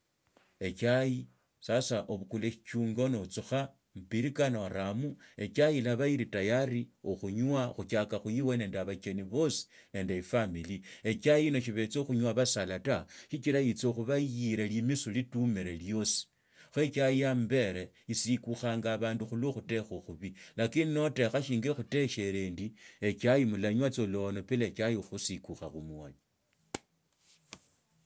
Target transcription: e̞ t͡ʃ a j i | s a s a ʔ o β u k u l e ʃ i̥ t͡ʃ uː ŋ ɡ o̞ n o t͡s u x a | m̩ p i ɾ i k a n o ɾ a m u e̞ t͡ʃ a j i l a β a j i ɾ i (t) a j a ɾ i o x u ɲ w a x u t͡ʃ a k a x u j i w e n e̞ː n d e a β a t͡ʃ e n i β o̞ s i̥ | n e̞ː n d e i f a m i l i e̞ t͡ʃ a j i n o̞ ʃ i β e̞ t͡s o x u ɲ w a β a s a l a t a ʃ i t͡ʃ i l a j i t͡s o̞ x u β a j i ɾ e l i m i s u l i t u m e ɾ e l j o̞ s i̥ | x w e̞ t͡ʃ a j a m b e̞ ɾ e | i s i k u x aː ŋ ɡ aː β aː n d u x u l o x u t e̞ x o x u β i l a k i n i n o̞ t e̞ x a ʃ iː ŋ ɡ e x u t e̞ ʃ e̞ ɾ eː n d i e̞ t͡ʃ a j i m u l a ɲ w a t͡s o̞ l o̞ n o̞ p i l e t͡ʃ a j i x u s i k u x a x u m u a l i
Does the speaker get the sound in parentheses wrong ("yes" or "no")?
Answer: no